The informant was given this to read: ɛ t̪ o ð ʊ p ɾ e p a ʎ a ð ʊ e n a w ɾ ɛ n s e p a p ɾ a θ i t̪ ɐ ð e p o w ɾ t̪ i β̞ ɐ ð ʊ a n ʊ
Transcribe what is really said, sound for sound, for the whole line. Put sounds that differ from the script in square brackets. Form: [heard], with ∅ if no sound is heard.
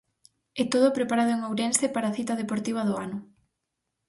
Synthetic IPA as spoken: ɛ t̪ o ð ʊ p ɾ e p a [ɾ] a ð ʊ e [ŋ] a w ɾ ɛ n s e p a [∅] ɾ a θ i t̪ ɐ ð e p o [∅] ɾ t̪ i β̞ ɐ ð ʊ a n ʊ